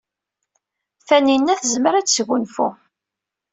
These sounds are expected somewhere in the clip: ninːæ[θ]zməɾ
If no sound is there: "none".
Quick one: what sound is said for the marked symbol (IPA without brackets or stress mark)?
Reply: θ